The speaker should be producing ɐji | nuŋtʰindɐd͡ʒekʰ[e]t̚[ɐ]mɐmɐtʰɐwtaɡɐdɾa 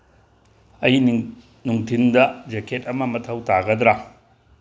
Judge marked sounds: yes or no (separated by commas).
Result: yes, yes